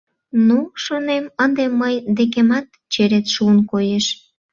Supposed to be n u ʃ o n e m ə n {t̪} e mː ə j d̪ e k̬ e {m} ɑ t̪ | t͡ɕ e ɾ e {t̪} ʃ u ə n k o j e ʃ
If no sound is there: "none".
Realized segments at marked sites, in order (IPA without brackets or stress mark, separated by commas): d̪, m, t̪